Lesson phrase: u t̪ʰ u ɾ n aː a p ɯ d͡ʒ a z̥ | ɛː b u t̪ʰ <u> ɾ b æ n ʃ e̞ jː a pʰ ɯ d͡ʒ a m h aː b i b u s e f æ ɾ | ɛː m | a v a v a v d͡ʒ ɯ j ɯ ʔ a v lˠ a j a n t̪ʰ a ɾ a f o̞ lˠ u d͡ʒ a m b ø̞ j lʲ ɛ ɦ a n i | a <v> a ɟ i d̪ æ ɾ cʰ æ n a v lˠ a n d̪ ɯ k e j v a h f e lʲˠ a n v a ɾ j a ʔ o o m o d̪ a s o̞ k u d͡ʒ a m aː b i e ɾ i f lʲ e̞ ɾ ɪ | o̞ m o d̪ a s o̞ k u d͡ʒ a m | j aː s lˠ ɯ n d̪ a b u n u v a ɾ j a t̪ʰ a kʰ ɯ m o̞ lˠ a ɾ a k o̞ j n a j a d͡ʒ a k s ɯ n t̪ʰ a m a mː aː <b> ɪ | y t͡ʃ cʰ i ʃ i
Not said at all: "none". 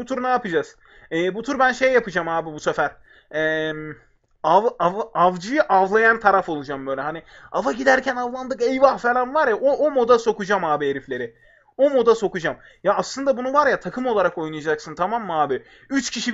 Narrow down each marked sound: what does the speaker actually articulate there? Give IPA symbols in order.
u, v, b

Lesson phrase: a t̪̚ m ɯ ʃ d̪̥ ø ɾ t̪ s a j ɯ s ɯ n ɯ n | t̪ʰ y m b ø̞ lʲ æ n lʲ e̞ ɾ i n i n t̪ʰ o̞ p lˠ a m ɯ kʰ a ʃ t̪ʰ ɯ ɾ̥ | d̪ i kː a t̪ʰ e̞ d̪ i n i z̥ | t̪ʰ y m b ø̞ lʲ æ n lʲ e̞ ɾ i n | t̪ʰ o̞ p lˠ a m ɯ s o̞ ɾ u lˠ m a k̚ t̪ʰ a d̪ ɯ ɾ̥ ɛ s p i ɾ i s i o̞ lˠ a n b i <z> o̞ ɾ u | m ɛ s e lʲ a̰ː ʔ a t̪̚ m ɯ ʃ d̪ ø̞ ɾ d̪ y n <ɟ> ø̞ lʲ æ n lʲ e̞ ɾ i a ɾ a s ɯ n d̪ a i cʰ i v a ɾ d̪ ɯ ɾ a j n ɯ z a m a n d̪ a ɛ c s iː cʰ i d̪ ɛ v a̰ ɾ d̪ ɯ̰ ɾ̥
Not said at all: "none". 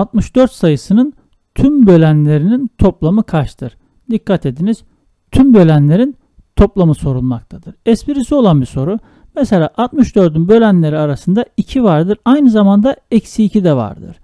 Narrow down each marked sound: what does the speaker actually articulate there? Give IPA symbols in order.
s, b

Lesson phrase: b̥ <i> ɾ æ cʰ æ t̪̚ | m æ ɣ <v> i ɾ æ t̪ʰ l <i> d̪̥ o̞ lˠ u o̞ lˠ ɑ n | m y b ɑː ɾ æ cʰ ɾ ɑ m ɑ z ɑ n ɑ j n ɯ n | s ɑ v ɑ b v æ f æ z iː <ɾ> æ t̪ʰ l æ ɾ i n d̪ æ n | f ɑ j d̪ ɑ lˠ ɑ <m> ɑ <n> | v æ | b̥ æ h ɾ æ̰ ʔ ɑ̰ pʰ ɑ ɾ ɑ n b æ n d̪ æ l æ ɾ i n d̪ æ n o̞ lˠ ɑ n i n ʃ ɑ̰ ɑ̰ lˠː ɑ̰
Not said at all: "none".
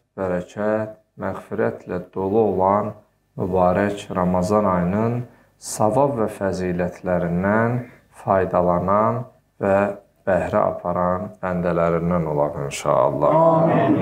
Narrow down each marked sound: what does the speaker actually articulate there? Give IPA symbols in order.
æ, f, æ, l, n, n

